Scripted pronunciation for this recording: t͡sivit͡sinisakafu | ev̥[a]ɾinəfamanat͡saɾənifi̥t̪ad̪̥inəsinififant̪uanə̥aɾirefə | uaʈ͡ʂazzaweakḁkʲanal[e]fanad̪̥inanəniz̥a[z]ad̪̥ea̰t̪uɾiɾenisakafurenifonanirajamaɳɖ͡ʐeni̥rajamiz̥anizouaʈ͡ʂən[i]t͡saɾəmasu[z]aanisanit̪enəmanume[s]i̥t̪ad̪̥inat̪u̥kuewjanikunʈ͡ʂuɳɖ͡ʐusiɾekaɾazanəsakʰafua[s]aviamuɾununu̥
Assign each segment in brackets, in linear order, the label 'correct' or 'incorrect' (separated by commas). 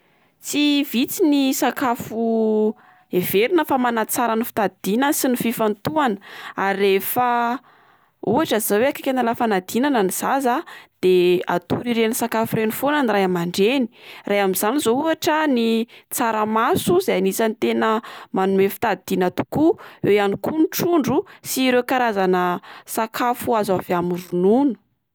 incorrect, incorrect, correct, correct, correct, incorrect, incorrect